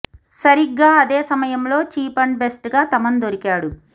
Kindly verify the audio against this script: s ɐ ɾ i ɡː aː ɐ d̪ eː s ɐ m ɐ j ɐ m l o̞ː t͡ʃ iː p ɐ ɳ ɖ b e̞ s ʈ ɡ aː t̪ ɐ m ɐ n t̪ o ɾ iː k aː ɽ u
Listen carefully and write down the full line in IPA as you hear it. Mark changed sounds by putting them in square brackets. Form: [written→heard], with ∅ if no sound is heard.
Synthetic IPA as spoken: s ɐ ɾ i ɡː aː ɐ d̪ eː s ɐ m ɐ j ɐ m l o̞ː t͡ʃ iː p ɐ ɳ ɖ b e̞ s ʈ ɡ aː t̪ ɐ m ɐ n [t̪→d̪] o ɾ [iː→i] k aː ɽ u